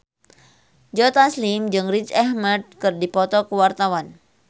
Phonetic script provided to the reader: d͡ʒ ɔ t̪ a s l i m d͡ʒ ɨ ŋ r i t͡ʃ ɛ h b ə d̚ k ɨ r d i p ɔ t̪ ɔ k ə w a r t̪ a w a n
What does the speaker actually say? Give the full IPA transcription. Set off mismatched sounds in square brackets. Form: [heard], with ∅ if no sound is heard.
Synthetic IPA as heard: d͡ʒ ɔ t̪ a s l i m d͡ʒ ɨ ŋ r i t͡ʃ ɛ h [m] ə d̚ k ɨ r d i p ɔ t̪ ɔ k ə w a r t̪ a w a n